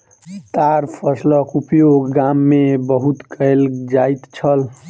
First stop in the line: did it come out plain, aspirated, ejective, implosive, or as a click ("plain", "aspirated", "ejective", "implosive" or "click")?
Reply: plain